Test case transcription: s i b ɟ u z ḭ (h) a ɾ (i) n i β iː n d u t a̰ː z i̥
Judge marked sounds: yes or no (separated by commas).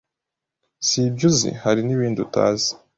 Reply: yes, yes